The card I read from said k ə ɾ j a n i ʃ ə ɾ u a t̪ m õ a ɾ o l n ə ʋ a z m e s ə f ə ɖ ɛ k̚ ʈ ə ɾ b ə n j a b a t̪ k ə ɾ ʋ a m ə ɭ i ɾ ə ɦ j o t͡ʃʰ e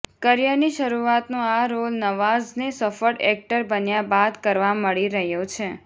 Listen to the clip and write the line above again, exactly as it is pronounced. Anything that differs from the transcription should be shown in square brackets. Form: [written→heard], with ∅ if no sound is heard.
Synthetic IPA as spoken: k ə ɾ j a n i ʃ ə ɾ u a t̪ [m→n] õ a ɾ o l n ə ʋ a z [m→n] e s ə f ə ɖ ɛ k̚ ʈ ə ɾ b ə n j a b a [t̪→d̪] k ə ɾ ʋ a m ə ɭ i ɾ ə ɦ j o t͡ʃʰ e